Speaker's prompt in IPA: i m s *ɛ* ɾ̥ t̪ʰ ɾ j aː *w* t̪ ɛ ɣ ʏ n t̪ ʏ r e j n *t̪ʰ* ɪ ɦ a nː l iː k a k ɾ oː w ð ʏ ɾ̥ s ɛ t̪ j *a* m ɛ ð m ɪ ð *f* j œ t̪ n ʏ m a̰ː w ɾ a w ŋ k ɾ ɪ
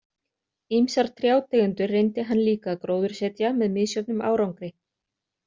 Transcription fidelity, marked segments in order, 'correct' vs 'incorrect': incorrect: a, correct, incorrect: t̪, correct, incorrect: s

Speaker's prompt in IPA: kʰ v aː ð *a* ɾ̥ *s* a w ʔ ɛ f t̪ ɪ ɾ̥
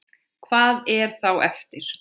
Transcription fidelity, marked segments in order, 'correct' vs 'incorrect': incorrect: ɛ, incorrect: θ

